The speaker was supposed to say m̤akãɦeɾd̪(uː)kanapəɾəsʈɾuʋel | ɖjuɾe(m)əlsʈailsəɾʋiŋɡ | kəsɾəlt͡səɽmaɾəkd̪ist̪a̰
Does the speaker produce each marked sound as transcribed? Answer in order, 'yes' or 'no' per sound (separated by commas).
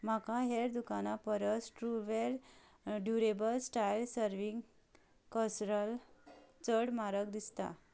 no, no